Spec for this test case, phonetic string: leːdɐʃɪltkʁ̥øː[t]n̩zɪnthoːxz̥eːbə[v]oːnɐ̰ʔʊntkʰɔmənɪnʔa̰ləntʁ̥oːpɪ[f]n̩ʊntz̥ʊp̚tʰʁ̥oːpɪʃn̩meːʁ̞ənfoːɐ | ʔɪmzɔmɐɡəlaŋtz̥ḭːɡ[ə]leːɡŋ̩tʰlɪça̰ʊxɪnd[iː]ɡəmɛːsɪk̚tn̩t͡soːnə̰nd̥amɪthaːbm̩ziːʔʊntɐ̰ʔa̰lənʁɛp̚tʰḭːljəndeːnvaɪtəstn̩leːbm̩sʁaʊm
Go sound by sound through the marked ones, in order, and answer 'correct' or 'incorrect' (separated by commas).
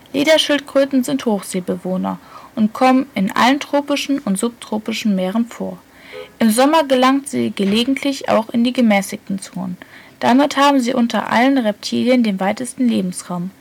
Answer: correct, correct, incorrect, correct, correct